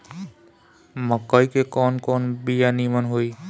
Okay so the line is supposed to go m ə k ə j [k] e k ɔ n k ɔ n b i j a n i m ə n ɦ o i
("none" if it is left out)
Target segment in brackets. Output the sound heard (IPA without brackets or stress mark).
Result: k